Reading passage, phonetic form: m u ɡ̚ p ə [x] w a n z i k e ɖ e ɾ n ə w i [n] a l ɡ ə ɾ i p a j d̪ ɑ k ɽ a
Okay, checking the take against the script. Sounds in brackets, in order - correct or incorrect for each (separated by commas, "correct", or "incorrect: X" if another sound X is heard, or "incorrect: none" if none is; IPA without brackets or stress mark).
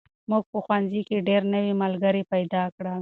correct, incorrect: m